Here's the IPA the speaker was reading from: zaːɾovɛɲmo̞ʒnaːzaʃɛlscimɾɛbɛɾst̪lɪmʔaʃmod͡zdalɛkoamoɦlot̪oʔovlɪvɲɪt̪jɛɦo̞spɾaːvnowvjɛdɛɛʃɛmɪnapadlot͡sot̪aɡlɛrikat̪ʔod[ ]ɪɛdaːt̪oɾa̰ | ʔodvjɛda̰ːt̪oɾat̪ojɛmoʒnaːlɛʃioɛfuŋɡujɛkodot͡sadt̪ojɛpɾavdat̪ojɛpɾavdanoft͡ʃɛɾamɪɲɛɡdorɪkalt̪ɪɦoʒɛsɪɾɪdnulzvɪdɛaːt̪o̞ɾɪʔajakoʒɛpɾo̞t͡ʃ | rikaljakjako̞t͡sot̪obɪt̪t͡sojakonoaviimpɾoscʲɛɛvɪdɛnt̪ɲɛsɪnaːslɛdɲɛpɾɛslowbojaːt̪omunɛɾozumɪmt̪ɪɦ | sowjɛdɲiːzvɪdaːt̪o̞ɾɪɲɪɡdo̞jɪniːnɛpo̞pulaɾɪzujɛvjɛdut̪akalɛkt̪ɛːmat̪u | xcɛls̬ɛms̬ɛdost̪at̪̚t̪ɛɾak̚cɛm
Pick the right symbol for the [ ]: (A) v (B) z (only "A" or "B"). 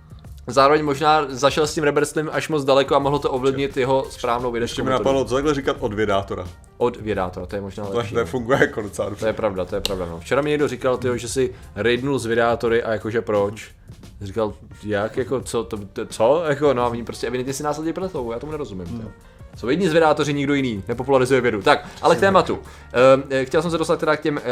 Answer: A